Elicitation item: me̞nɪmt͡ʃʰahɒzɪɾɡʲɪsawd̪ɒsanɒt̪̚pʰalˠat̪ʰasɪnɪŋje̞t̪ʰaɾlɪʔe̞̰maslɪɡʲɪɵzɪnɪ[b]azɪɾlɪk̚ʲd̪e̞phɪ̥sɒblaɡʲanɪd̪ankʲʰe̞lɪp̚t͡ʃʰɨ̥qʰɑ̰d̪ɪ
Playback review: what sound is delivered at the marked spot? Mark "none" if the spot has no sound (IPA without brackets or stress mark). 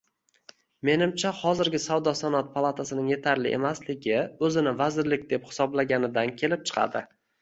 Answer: v